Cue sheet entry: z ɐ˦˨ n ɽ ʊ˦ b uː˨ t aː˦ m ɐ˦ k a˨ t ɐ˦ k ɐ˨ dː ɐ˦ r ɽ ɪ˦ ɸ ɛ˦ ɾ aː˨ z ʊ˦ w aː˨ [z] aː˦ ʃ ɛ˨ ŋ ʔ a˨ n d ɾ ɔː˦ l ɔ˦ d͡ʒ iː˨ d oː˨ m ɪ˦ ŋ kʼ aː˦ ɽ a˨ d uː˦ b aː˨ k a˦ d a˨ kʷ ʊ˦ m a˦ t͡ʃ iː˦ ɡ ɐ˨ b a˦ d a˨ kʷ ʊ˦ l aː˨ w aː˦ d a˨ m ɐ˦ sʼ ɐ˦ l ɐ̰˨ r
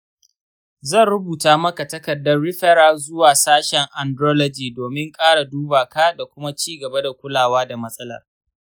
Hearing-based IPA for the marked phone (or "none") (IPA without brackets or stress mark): s